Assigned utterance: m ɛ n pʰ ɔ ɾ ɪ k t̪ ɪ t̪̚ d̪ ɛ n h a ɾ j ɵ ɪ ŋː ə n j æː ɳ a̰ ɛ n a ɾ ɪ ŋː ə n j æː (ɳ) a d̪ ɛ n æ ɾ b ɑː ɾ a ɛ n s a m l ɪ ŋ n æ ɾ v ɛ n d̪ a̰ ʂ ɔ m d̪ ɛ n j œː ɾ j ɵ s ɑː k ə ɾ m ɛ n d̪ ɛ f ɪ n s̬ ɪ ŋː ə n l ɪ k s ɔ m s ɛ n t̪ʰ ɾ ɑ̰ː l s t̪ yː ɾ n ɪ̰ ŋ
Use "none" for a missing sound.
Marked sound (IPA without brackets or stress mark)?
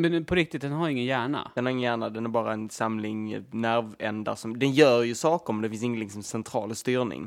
ɳ